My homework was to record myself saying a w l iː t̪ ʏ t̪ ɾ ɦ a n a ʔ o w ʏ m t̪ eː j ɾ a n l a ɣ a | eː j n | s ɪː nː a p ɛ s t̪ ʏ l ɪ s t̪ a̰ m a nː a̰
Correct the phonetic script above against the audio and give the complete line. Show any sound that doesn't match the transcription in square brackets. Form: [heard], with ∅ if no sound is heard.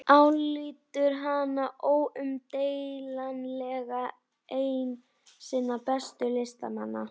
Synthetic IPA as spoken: a w l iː t̪ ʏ [∅] ɾ ɦ a n a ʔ o w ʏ m t̪ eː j [l] a n l [ɛ] ɣ a | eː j n | s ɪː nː a p ɛ s t̪ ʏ l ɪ s t̪ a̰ m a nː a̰